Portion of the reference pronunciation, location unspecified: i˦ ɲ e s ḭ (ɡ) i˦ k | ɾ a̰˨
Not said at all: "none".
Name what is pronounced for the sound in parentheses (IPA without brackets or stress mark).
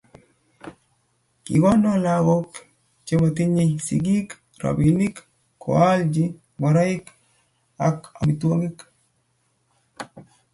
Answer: ɡ